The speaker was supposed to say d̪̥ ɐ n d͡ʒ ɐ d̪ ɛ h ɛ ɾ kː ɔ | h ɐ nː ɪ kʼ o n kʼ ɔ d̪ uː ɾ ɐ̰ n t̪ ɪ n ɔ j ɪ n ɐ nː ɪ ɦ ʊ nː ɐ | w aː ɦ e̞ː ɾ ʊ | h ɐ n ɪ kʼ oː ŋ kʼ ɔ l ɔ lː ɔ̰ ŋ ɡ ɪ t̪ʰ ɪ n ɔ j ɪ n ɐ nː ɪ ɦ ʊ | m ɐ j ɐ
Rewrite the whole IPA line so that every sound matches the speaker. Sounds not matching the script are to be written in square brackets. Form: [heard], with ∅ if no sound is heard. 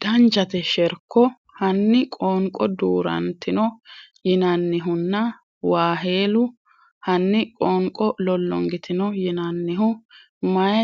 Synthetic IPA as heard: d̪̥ ɐ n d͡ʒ ɐ [t̪] ɛ [ʃ] ɛ ɾ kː ɔ | h ɐ nː ɪ kʼ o [ŋ] kʼ ɔ d̪ uː ɾ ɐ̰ n t̪ ɪ n ɔ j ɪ n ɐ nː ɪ ɦ ʊ nː ɐ | w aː ɦ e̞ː [l] ʊ | h ɐ [nː] ɪ kʼ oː ŋ kʼ ɔ l ɔ lː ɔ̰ ŋ ɡ ɪ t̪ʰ ɪ n ɔ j ɪ n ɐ nː ɪ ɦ ʊ | m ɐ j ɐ